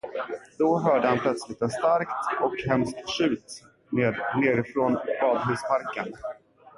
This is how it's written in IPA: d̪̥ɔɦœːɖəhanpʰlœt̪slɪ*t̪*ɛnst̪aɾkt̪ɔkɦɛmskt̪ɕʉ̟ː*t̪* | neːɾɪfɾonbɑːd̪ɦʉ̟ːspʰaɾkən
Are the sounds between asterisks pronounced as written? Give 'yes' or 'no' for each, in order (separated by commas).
yes, yes